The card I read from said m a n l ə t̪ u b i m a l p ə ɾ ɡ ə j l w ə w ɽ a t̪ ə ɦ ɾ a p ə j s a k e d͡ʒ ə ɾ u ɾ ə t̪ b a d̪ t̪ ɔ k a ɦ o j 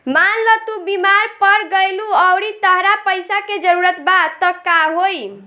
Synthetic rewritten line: m a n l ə t̪ u b i m a ɾ p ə ɾ ɡ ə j l u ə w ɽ i t̪ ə ɦ ɾ a p ə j s a k e d͡ʒ ə ɾ u ɾ ə t̪ b a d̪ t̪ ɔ k a ɦ o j